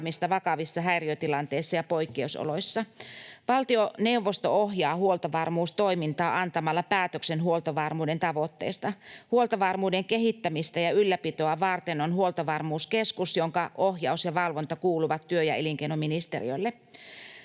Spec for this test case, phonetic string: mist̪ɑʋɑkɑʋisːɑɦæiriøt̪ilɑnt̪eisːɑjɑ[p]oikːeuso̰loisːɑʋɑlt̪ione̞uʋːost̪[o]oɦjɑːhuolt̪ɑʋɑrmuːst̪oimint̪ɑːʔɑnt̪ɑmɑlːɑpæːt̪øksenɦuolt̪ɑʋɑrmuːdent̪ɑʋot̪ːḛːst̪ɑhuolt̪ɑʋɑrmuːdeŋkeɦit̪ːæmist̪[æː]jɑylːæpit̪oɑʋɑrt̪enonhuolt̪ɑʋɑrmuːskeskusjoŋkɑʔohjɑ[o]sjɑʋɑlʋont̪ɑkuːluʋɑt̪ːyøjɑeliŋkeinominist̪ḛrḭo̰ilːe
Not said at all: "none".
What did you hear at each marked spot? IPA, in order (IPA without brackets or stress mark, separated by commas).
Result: p, o, æ, u